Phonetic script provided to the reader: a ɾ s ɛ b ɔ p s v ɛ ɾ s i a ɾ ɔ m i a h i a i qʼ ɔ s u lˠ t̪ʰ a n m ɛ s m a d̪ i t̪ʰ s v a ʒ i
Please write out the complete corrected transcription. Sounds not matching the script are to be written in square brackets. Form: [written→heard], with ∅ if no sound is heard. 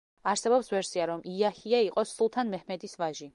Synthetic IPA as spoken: a ɾ s ɛ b ɔ p s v ɛ ɾ s i a ɾ ɔ m i a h i a i qʼ ɔ s u lˠ t̪ʰ a n m ɛ [s→h] m [a→ɛ] d̪ i [t̪ʰ→∅] s v a ʒ i